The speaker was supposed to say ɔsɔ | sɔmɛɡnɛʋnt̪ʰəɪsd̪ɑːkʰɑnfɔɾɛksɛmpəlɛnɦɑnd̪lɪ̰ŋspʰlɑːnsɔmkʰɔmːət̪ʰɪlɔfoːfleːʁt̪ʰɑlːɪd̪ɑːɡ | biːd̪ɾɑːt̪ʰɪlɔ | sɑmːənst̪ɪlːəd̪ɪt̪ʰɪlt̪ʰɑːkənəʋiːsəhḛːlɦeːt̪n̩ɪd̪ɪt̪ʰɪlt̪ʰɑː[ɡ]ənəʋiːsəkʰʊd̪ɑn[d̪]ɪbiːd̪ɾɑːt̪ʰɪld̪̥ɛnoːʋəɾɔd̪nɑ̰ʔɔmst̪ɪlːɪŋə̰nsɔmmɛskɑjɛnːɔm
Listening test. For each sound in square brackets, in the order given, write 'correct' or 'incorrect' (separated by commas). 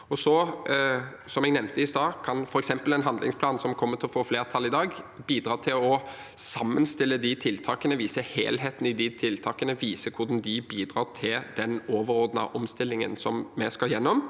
incorrect, correct